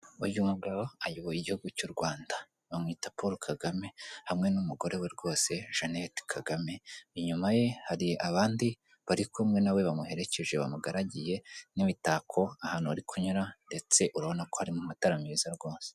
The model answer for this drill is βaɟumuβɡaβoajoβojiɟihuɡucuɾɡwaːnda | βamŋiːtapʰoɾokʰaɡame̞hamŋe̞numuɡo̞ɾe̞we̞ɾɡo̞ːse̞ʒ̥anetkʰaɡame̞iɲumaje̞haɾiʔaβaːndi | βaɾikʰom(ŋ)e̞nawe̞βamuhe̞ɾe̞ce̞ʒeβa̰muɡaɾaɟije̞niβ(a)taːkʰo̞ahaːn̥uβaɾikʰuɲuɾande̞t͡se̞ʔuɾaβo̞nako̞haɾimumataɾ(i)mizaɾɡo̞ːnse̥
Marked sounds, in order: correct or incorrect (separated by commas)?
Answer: correct, incorrect, incorrect